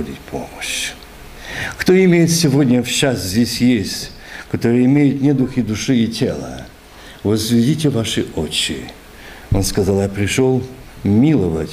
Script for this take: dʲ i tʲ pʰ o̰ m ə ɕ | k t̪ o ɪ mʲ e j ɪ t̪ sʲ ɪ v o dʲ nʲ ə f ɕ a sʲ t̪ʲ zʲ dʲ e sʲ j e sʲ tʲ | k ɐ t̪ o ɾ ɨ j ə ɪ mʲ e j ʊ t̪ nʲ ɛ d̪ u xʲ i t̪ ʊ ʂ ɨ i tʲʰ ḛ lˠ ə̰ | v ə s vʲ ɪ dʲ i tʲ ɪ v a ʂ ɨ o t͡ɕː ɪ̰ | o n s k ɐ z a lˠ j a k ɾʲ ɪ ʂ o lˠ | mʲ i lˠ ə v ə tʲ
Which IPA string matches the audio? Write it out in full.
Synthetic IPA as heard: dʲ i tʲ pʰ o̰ m ə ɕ | k t̪ o ɪ mʲ e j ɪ t̪ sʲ ɪ v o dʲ nʲ ə f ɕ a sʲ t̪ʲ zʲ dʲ e sʲ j e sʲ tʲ | k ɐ t̪ o ɾ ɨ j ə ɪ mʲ e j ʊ t̪ nʲ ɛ d̪ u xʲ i d̪ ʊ ʂ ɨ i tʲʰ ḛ lˠ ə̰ | v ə z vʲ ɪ dʲ i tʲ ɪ v a ʂ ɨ o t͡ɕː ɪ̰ | o n s k ɐ z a lˠ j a p ɾʲ ɪ ʂ o lˠ | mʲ i lˠ ə v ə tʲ